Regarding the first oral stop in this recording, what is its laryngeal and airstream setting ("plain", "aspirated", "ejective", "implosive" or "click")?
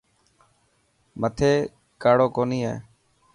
aspirated